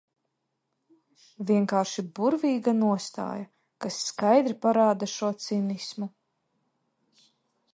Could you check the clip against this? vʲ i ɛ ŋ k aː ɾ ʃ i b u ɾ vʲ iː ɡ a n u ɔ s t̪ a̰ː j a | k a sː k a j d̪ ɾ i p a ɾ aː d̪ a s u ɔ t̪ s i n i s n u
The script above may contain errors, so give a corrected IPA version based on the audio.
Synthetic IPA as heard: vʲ i ɛ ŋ k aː ɾ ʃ i b u ɾ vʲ iː ɡ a n u ɔ s t̪ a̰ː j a | k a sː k a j d̪ ɾ i p a ɾ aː d̪ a ʃ u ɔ t̪ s i n i s m u